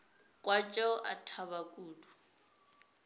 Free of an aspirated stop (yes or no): no